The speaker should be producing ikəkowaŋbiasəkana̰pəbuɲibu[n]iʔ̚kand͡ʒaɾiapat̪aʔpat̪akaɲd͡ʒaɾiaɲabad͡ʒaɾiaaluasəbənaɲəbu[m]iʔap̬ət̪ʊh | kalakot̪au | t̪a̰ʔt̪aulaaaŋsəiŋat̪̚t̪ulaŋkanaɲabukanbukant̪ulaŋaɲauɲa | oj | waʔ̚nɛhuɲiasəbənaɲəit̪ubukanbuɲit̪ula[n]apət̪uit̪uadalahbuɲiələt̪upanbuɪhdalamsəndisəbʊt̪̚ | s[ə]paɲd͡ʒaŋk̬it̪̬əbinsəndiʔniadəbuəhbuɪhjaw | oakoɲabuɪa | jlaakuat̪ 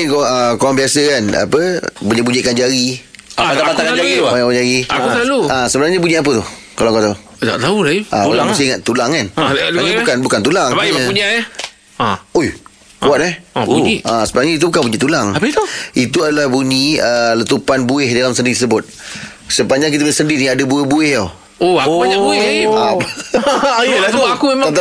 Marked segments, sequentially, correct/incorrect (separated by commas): incorrect, incorrect, incorrect, correct